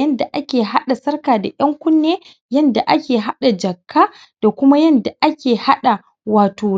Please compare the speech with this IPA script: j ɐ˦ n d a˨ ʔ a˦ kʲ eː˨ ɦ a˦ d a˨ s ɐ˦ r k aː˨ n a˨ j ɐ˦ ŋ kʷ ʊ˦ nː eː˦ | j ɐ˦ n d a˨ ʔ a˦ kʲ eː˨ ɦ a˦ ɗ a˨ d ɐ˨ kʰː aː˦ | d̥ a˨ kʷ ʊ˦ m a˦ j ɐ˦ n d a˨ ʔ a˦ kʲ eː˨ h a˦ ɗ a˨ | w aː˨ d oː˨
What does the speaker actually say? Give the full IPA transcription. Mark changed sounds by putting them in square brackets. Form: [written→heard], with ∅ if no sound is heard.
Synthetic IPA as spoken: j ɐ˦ n d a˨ ʔ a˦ kʲ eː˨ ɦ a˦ [d→ɗ] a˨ s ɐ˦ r k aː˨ [n→d] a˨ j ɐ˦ ŋ kʷ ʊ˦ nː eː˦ | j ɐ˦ n d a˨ ʔ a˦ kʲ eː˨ ɦ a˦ ɗ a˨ [d→d͡ʒ] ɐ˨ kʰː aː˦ | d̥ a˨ kʷ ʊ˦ m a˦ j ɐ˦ n d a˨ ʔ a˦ kʲ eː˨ h a˦ ɗ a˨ | w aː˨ [d→t] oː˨